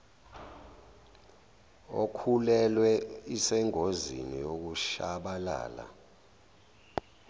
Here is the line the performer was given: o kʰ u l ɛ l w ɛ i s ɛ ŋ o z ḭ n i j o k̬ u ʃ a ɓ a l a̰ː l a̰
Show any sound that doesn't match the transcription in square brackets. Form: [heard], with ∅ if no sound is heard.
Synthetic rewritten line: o kʰ u l ɛ l w ɛ i s ɛ ŋ o z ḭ n i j o k̬ u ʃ a ɓ a l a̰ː l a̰